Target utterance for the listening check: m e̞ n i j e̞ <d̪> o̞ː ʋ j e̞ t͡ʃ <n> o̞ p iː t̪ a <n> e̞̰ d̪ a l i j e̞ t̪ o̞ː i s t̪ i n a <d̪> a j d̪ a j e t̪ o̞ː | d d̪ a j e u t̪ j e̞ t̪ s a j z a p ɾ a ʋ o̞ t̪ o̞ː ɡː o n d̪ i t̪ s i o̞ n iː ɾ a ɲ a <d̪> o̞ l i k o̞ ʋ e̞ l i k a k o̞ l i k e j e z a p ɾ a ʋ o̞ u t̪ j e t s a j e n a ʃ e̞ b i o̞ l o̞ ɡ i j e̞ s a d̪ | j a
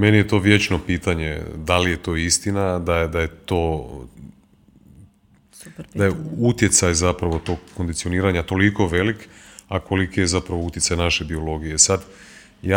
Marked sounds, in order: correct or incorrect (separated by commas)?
incorrect, correct, incorrect, correct, incorrect